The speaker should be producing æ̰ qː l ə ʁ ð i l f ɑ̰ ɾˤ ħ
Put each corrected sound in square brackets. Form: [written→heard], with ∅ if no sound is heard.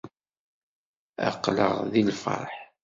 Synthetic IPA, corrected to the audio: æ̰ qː l ə ʁ ð i l f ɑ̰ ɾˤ ħ